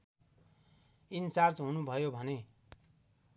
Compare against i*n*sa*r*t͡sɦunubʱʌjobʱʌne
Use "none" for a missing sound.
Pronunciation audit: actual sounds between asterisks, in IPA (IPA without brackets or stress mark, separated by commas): n, r